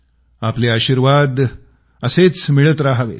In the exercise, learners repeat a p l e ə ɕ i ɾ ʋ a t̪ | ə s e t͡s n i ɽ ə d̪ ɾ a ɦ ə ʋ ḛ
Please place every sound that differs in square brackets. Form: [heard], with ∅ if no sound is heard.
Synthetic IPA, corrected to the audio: a p l e [a] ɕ i ɾ ʋ a [d̪] | ə s e t͡s [m] i [ɭ] ə [t̪] ɾ a ɦ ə ʋ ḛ